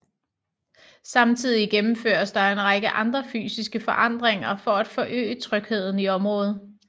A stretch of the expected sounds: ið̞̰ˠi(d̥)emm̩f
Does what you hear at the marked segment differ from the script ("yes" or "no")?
yes